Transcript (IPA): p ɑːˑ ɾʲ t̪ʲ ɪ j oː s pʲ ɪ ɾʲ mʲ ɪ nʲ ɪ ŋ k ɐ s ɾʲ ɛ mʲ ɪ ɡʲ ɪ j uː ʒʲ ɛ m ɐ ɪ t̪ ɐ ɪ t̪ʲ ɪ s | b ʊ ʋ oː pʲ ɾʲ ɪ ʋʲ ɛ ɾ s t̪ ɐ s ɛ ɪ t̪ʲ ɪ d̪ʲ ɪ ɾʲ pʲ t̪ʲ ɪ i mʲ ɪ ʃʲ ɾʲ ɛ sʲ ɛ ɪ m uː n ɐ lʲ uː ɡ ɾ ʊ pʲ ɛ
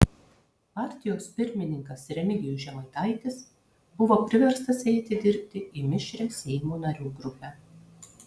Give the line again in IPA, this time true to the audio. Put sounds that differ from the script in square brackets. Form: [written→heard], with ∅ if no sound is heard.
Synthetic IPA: p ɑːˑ ɾʲ t̪ʲ ɪ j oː s pʲ ɪ ɾʲ mʲ ɪ nʲ ɪ ŋ k ɐ s ɾʲ ɛ mʲ ɪ ɡʲ ɪ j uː ʒʲ ɛ m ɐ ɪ t̪ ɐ ɪ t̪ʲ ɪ s | b ʊ ʋ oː pʲ ɾʲ ɪ ʋʲ ɛ ɾ s t̪ ɐ s ɛ ɪ t̪ʲ ɪ d̪ʲ ɪ ɾʲ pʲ t̪ʲ ɪ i mʲ ɪ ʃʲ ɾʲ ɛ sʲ ɛ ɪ m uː n ɐ [lʲ→ɾʲ] uː ɡ ɾ ʊ pʲ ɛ